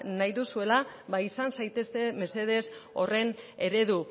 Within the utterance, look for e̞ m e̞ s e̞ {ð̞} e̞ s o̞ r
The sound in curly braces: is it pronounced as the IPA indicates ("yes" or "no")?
yes